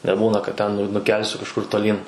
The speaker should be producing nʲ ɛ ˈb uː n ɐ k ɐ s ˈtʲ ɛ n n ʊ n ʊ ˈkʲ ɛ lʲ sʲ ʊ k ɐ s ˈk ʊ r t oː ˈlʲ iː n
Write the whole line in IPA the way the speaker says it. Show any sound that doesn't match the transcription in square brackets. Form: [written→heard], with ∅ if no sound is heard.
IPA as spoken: nʲ ɛ ˈb uː n ɐ k ɐ [s→t] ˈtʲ ɛ n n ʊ n ʊ ˈkʲ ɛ lʲ sʲ ʊ k ɐ [s→ʃ] ˈk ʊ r t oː ˈlʲ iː n